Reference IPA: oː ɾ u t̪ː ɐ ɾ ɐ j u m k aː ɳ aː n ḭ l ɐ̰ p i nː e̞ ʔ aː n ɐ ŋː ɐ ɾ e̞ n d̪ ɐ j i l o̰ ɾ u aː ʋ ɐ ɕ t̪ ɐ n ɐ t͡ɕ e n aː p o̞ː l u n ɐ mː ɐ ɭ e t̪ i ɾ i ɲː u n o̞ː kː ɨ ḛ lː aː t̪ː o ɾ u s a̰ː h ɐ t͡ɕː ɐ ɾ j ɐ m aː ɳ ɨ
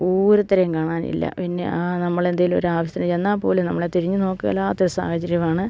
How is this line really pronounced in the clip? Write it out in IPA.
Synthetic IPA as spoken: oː ɾ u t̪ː ɐ ɾ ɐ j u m k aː ɳ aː n ḭ lː ɐ̰ p i nː e̞ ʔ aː n ɐ mː ɐ ɭ e̞ n d̪ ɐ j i l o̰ ɾ u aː ʋ ɐ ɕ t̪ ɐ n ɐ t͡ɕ e nː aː p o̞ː l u n ɐ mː ɐ ɭ e t̪ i ɾ i ɲː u n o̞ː kː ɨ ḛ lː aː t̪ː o ɾ u s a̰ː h ɐ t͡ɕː ɐ ɾ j ɐ m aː ɳ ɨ